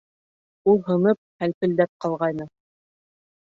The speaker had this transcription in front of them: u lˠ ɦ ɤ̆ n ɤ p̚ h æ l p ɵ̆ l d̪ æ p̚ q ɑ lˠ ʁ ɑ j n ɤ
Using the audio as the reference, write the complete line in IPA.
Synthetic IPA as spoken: u lˠ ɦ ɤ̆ n ɤ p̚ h æ l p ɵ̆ l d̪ æ p̚ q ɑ lˠ ʁ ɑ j n ɤ